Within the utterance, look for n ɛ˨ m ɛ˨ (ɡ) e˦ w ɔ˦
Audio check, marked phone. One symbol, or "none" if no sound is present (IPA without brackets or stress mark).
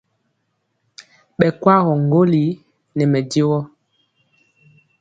d